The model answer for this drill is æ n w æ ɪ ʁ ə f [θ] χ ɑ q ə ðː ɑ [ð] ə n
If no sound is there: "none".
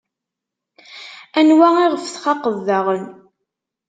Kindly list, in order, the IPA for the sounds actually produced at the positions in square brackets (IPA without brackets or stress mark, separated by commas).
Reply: θ, ʁ